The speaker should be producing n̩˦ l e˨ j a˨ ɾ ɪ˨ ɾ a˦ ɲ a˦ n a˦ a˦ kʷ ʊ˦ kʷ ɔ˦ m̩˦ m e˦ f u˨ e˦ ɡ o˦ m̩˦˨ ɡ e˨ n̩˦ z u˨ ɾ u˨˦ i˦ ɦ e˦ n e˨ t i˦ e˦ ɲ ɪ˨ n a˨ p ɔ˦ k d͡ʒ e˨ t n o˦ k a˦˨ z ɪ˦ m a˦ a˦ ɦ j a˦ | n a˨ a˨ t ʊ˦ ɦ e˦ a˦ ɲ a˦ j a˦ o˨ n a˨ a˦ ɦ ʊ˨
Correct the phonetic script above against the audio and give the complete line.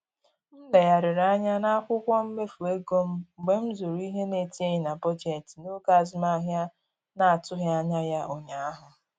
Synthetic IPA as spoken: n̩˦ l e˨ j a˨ ɾ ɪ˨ ɾ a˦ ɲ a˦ n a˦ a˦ kʷ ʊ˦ kʷ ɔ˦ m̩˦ m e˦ f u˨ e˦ ɡ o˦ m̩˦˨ ɡ͡b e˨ m̩˦ z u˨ ɾ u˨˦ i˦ ɦ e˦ n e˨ t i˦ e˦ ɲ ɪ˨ n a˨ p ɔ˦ d͡ʒ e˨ t n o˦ k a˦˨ z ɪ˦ m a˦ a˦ ɦ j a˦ | n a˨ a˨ t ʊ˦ ɦ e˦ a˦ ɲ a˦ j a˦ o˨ ɲ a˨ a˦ ɦ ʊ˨